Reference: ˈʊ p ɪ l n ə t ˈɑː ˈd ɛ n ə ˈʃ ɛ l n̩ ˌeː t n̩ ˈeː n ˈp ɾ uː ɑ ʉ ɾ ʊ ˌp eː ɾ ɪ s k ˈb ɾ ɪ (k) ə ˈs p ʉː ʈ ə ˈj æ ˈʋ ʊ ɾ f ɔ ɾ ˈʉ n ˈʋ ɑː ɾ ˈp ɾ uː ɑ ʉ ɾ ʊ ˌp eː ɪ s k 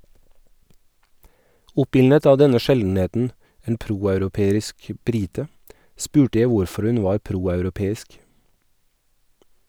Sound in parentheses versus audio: incorrect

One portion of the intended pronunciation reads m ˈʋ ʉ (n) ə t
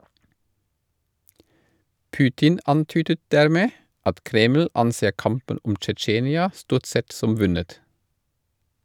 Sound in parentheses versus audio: correct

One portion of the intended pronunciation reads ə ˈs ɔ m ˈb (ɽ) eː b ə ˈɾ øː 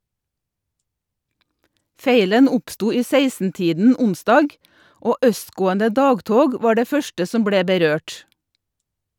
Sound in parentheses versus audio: correct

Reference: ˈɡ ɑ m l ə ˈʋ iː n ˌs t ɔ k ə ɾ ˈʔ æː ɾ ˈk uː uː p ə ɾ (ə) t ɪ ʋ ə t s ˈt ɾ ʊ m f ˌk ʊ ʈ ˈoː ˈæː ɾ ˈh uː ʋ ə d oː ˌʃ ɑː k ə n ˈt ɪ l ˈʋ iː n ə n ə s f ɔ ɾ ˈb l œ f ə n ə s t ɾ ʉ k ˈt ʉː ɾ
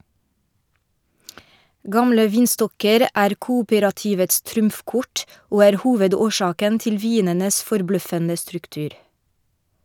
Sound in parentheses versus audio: incorrect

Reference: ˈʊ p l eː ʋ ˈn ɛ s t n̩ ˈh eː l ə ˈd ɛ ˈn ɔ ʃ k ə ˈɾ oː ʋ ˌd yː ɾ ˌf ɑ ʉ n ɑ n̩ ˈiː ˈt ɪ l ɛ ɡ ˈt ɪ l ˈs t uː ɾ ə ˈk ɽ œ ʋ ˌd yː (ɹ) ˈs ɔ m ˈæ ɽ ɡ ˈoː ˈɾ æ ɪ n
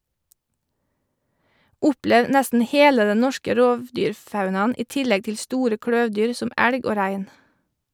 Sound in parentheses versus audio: incorrect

